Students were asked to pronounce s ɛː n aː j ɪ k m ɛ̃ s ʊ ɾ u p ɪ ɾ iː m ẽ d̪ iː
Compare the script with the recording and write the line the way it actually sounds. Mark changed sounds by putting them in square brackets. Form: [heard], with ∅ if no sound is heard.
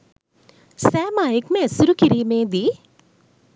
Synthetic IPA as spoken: s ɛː [m] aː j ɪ k m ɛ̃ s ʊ ɾ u [k] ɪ ɾ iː m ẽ d̪ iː

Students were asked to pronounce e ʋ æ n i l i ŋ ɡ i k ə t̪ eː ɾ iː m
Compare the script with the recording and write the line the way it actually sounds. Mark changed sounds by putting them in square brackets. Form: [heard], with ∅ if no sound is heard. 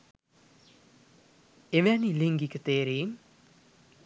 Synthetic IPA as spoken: e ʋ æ n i l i ŋ ɡ i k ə t̪ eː ɾ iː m

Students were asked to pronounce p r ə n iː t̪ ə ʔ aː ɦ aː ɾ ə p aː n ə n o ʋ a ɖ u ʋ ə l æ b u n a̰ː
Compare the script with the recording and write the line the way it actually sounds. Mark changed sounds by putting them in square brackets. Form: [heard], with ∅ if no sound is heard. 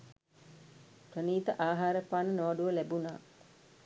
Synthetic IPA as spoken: p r ə n iː t̪ ə ʔ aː ɦ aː ɾ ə p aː n ə n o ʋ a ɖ u ʋ ə l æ b u n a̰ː

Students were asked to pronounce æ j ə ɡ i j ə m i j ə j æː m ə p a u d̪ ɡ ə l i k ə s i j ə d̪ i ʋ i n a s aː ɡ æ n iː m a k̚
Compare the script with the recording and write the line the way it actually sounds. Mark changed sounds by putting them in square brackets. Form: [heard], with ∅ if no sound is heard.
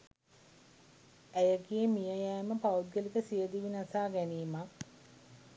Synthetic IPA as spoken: æ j ə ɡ i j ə m i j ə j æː m ə p a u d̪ ɡ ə l i k ə s i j ə d̪ i ʋ i n a s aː ɡ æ n iː m a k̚

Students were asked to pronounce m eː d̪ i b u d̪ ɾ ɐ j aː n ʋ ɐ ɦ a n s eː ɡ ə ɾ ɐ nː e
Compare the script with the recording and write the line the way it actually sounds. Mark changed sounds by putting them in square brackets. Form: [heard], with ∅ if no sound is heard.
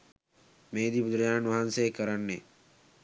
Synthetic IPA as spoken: m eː d̪ i b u d̪ ɾ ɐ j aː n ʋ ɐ ɦ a n s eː [k] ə ɾ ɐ nː e

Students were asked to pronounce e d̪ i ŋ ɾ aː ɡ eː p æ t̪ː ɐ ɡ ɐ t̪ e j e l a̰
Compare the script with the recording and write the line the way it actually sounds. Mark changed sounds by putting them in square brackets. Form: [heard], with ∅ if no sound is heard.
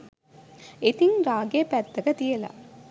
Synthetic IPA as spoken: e [t̪] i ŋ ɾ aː ɡ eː p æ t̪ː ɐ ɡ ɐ t̪ [i] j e l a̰

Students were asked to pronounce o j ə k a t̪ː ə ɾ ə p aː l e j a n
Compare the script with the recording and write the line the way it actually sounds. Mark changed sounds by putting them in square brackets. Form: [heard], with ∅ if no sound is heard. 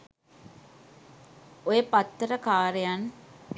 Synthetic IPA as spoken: o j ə [p] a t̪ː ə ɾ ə [k] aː [ɾ] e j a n

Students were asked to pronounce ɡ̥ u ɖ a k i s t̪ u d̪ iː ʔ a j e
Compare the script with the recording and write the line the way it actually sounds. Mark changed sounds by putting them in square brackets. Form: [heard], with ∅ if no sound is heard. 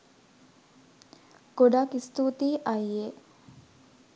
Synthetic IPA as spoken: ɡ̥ [o] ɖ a k i s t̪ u [t̪] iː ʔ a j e

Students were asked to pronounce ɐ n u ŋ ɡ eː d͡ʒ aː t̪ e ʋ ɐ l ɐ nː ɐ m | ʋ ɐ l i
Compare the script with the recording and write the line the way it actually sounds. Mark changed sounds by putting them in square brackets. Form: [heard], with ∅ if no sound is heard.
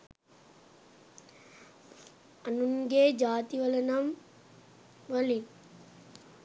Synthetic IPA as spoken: ɐ n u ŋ ɡ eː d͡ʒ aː t̪ [i] ʋ ɐ l ɐ [n] ɐ m | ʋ ɐ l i

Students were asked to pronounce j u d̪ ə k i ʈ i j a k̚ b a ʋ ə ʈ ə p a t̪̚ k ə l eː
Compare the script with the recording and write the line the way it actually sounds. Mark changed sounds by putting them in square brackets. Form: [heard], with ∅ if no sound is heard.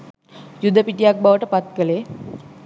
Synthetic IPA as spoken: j u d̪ ə [p] i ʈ i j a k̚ b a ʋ ə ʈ ə p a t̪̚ k ə l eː

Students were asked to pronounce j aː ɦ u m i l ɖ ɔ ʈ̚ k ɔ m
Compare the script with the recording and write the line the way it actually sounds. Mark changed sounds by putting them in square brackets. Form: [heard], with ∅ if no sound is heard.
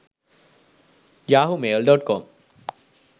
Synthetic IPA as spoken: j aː ɦ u m [e] l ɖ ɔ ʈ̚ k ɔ m

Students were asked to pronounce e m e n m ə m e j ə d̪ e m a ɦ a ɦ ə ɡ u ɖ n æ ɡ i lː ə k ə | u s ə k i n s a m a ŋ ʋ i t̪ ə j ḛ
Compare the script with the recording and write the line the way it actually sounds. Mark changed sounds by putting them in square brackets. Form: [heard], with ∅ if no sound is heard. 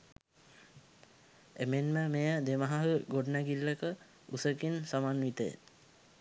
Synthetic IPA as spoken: e m e n m ə m e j ə d̪ e m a ɦ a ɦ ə ɡ [o] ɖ n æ ɡ i lː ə k ə | u s ə k i n s a m a [n] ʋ i t̪ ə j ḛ

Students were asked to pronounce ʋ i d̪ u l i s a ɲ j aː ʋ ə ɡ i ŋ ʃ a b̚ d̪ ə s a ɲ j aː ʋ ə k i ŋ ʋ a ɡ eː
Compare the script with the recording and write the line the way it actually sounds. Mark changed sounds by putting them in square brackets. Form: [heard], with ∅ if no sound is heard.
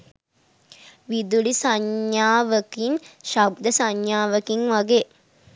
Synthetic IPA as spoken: ʋ i d̪ u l i s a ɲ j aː ʋ ə [k] i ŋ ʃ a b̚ d̪ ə s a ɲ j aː ʋ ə k i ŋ ʋ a ɡ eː

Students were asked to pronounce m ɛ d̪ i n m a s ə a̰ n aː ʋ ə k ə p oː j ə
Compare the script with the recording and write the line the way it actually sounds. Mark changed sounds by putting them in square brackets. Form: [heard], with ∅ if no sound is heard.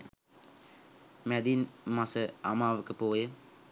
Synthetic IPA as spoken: m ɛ d̪ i n m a s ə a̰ [m] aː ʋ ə k ə p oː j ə

